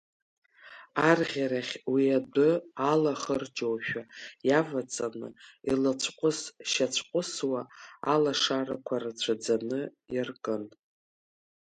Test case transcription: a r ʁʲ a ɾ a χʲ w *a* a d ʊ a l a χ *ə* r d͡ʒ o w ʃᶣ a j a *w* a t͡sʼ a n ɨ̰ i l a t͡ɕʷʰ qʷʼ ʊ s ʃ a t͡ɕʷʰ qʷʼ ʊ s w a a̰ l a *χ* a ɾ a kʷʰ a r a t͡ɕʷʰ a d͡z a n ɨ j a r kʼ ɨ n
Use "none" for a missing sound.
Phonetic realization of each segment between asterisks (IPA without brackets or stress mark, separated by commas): i, ə, v, ʂ